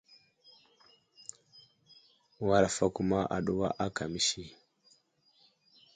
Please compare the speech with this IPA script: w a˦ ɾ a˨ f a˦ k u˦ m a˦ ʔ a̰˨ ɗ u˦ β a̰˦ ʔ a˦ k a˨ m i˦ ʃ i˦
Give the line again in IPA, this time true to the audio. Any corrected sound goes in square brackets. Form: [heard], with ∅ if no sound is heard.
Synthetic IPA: w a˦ ɾ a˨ f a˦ k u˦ m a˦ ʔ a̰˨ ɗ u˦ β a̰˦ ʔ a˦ k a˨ m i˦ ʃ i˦